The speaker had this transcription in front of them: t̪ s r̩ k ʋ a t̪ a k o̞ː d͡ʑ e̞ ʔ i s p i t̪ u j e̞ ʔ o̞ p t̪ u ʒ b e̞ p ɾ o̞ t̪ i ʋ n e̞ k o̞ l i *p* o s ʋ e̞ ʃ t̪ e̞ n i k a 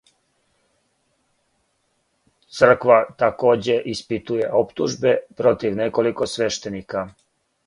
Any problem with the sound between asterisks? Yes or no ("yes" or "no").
yes